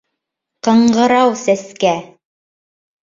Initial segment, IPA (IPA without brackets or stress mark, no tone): q